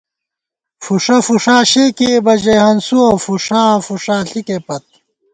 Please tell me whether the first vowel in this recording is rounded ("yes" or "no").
yes